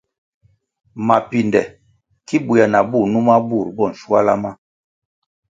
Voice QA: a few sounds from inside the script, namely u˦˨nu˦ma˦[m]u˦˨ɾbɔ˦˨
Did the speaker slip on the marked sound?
yes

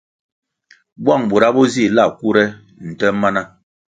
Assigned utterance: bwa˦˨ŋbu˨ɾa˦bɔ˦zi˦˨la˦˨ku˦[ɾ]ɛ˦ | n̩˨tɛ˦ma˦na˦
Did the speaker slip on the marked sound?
no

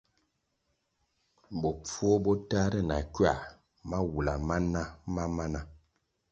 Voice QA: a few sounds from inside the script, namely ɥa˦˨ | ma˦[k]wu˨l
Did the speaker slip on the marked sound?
yes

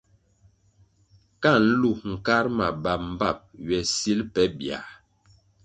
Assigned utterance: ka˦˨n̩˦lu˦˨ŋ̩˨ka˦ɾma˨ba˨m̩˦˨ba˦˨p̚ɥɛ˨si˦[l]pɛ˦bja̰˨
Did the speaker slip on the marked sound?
no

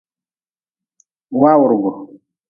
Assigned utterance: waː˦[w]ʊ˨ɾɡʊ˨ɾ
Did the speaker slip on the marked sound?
no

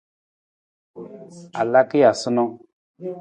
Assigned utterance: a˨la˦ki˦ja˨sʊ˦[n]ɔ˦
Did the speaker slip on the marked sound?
no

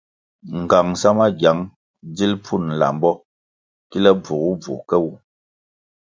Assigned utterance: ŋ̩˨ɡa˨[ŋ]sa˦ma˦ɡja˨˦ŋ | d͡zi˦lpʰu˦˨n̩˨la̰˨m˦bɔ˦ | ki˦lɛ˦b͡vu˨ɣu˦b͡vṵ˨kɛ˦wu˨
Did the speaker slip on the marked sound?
no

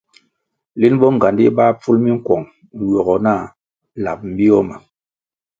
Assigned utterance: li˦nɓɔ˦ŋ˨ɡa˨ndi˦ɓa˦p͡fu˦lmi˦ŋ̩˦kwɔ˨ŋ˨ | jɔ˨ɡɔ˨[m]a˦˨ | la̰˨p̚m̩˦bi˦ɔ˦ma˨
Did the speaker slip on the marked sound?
yes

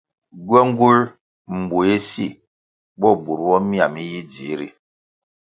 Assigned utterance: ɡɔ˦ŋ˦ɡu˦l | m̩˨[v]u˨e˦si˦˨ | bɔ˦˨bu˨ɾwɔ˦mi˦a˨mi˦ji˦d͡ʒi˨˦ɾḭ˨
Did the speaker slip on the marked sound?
yes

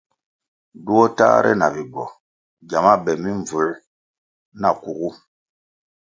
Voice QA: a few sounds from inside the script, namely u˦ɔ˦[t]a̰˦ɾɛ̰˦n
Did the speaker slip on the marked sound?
no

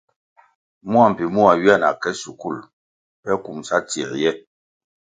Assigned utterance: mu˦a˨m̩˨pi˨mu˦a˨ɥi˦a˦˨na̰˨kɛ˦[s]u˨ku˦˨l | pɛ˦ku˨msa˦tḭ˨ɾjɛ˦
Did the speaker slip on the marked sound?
no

